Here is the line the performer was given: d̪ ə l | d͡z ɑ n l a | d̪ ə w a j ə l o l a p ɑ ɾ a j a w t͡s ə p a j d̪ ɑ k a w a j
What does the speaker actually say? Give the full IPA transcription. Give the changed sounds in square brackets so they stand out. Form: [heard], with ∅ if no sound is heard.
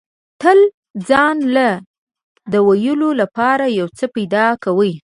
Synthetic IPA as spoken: [t̪] ə l | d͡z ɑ n l a | d̪ ə w a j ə l o l a p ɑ ɾ a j a w t͡s ə p a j d̪ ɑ k a w [ə] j